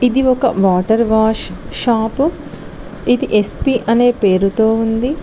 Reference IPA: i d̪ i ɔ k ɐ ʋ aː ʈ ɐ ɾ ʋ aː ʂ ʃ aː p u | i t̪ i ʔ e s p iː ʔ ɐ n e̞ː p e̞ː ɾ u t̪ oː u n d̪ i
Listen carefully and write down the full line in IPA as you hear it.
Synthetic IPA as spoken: i d̪ i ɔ k ɐ ʋ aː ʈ ɐ ɾ ʋ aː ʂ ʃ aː p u | i d̪ i ʔ e s p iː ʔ ɐ n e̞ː p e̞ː ɾ u t̪ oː u n d̪ i